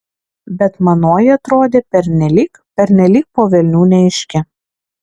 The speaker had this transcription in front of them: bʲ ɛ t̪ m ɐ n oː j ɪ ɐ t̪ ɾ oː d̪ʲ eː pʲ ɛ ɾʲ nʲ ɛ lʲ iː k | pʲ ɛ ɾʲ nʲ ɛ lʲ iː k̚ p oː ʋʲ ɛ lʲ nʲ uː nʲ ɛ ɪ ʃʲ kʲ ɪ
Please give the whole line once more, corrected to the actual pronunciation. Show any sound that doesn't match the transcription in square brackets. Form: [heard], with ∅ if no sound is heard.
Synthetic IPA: bʲ ɛ t̪ m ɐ n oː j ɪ ɐ t̪ ɾ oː d̪ʲ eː pʲ ɛ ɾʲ nʲ ɛ lʲ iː k | pʲ ɛ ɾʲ nʲ ɛ lʲ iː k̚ p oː ʋʲ ɛ lʲ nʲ uː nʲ ɛ ɪ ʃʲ kʲ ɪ